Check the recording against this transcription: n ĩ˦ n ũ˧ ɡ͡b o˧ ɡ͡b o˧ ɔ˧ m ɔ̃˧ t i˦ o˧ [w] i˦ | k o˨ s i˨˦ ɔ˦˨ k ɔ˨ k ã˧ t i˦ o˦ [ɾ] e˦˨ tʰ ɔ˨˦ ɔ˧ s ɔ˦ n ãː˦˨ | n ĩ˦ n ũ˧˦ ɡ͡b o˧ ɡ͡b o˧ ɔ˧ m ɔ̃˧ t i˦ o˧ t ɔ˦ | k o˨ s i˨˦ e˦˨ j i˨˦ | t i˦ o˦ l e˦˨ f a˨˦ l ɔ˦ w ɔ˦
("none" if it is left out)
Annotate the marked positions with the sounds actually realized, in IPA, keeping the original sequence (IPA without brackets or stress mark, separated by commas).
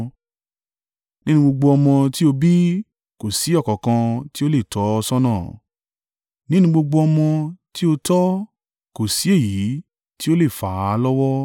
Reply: b, l